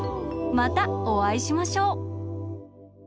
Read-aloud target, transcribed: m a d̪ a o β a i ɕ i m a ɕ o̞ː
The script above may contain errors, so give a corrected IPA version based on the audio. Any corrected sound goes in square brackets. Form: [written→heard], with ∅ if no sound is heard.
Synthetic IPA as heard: m a [d̪→t̪] a o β a i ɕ i m a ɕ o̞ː